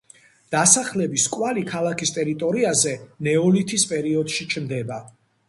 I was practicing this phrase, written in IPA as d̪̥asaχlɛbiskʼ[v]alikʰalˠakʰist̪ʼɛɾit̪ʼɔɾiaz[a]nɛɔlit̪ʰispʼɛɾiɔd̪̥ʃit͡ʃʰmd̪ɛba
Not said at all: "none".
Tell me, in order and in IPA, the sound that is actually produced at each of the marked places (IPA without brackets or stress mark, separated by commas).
w, ɛ